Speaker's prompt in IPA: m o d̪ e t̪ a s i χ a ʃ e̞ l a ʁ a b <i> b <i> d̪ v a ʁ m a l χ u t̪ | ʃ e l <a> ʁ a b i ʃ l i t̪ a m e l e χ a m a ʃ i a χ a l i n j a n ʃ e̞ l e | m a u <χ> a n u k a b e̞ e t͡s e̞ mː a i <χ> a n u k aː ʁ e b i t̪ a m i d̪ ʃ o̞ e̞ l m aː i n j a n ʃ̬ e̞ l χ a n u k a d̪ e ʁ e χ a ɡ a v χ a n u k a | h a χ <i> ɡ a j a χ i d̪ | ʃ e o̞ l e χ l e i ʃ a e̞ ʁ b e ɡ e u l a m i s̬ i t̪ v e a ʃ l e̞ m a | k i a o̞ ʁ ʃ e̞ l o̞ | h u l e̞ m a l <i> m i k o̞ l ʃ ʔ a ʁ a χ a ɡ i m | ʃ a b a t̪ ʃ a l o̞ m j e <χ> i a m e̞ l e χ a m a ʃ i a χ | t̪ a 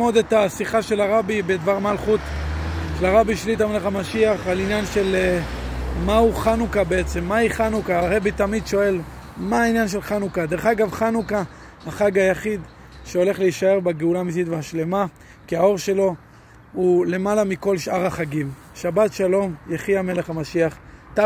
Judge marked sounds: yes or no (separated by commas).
yes, no, yes, yes, yes, no, no, yes